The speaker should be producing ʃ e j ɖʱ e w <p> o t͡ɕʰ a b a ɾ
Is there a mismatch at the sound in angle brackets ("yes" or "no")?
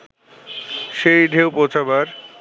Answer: no